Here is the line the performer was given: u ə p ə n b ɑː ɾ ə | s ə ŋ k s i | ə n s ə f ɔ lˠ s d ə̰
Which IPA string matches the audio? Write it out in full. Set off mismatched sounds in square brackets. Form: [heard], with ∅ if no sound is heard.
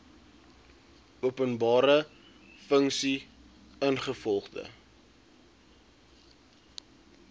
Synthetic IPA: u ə p ə n b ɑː ɾ ə | [f] ə ŋ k s i | ə n [χ] ə f ɔ lˠ [χ] d ə̰